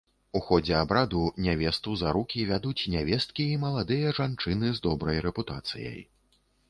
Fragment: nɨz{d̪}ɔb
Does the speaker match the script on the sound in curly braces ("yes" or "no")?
yes